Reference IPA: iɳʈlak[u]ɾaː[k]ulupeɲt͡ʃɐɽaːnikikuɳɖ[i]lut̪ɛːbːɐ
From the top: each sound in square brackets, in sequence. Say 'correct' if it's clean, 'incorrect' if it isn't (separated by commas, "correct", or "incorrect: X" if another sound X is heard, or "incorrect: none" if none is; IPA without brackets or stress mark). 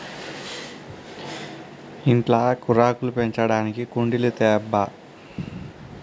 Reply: correct, correct, correct